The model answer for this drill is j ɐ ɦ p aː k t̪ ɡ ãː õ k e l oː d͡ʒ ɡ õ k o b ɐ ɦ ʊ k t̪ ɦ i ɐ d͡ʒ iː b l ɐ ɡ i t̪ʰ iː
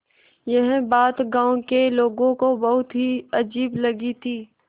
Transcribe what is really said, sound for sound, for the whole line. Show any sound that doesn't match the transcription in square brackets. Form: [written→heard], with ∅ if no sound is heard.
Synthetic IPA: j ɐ ɦ [p→b] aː [k→∅] t̪ ɡ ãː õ k e l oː [d͡ʒ→∅] ɡ õ k o b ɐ ɦ ʊ [k→∅] t̪ ɦ i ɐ d͡ʒ iː b l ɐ ɡ i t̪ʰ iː